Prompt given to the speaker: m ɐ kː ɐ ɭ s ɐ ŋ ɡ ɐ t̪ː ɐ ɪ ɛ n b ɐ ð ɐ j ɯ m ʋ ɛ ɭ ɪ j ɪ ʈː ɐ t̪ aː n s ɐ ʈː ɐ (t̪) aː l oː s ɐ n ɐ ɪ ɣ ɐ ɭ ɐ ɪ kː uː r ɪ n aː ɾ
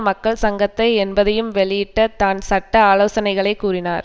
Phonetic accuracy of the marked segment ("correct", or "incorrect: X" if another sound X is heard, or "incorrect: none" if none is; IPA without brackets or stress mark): incorrect: none